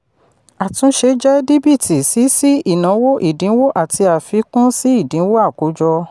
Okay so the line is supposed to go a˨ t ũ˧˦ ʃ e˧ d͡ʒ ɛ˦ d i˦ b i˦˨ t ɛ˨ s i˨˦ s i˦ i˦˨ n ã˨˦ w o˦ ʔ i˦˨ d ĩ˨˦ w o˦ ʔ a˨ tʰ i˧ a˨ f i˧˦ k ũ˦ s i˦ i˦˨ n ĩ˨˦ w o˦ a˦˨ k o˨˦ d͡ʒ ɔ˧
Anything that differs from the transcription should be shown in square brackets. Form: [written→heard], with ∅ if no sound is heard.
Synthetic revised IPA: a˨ t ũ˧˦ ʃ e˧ d͡ʒ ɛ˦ d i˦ b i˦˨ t [ɛ˨→i˨] s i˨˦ s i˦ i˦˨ n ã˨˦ w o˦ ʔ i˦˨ d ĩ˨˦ w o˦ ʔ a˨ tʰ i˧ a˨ f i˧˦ k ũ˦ s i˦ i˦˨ [n→d] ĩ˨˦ w o˦ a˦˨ k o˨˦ d͡ʒ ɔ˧